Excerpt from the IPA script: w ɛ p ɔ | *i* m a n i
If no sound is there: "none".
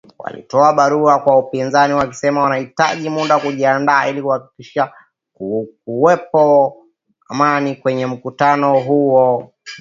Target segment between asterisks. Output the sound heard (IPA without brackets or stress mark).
a